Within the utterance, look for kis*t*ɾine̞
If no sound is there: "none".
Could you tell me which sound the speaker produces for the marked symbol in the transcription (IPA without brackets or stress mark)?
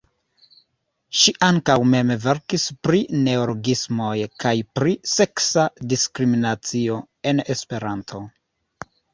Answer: p